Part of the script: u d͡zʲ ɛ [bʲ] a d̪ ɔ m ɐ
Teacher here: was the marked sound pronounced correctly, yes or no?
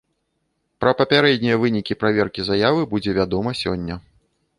no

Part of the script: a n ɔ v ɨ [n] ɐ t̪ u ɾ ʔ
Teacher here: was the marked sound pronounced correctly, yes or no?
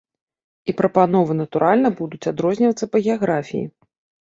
yes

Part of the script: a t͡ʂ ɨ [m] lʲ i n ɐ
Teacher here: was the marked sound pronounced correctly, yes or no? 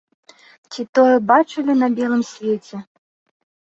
no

